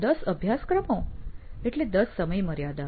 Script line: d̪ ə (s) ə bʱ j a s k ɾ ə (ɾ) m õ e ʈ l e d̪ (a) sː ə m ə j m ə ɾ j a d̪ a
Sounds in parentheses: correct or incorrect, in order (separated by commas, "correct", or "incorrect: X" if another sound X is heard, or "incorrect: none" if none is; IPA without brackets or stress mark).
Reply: correct, incorrect: none, incorrect: ə